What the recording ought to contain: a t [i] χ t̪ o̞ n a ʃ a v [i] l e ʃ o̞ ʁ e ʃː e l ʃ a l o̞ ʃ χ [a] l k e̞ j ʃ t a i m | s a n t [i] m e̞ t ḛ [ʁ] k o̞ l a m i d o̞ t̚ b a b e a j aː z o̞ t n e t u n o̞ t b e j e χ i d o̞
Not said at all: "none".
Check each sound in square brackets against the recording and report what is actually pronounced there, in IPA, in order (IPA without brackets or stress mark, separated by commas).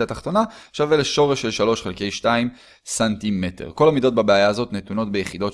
a, e, e, i, ʁ